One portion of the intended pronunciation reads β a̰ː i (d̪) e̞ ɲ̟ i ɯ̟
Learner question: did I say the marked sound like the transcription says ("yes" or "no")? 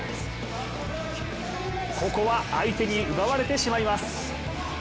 no